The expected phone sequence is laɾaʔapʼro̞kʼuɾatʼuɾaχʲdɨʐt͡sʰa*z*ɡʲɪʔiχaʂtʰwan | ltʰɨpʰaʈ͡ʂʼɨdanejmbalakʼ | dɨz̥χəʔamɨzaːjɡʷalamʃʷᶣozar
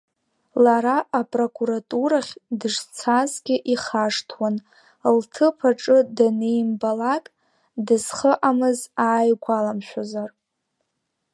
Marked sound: correct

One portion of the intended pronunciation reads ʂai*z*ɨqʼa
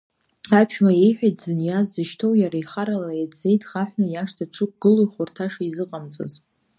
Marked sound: correct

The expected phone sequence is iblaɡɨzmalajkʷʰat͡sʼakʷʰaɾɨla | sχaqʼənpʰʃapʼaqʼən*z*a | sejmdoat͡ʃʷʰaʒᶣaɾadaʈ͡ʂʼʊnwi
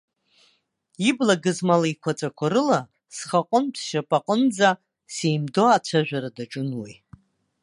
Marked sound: incorrect: d͡z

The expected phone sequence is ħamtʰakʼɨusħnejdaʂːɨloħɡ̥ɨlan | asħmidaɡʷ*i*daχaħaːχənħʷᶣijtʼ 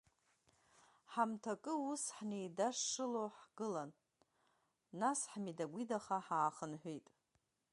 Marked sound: correct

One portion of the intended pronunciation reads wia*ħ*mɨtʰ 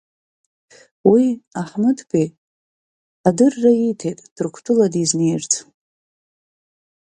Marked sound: correct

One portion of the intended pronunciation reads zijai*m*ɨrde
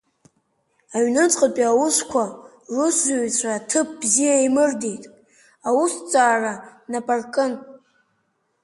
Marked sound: correct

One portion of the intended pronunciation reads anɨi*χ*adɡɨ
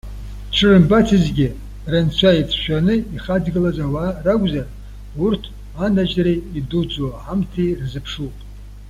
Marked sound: correct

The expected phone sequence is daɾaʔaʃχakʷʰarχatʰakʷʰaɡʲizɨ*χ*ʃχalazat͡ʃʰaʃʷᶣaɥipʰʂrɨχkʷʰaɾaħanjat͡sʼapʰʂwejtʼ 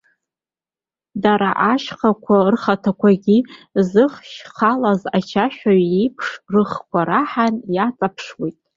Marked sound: correct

